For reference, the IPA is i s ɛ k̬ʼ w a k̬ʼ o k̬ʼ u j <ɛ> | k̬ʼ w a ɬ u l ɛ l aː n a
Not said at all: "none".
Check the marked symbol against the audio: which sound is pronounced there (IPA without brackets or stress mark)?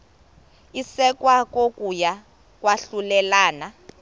a